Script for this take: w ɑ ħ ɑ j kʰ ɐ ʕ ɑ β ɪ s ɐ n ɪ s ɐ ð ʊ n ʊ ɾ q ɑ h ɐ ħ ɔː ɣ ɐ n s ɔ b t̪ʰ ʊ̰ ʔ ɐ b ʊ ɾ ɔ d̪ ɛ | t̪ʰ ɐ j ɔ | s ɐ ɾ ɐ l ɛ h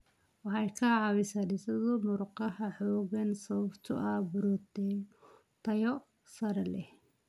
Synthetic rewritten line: w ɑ ħ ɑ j kʰ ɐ ʕ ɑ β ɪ s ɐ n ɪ s ɐ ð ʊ m ʊ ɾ q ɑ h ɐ ħ ɔː ɣ ɐ n s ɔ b t̪ʰ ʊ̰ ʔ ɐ b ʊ ɾ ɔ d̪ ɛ | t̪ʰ ɐ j ɔ | s ɐ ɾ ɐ l ɛ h